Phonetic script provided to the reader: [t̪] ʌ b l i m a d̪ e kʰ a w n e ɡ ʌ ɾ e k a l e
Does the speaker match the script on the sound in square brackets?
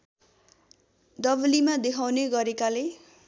no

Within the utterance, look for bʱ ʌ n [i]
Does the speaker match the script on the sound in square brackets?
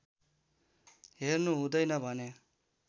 no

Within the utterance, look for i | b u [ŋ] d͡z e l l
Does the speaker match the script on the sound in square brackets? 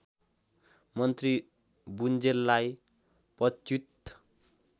no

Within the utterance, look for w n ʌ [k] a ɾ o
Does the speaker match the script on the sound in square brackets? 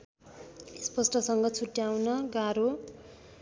no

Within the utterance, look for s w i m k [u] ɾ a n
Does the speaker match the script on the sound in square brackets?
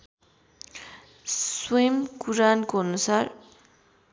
yes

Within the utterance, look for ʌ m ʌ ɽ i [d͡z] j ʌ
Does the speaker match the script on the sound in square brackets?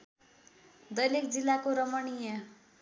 no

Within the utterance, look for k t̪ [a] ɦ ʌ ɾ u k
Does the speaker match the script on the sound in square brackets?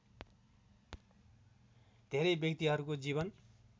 no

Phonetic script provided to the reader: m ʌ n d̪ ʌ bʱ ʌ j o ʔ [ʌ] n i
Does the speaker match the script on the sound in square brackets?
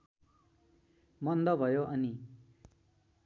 yes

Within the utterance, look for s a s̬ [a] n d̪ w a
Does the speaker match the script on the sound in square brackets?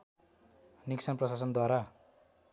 no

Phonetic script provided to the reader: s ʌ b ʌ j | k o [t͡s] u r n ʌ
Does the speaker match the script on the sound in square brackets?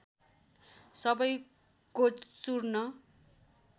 yes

